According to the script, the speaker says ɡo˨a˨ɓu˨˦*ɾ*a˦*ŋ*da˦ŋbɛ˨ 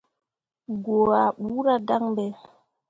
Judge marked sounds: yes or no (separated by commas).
yes, no